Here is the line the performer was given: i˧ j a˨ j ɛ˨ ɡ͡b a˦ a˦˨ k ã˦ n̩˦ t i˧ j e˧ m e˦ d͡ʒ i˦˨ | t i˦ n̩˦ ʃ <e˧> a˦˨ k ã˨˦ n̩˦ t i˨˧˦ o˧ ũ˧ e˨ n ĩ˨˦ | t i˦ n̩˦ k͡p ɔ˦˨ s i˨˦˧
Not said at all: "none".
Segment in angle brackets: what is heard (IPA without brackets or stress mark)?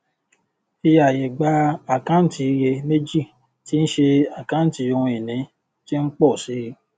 e˧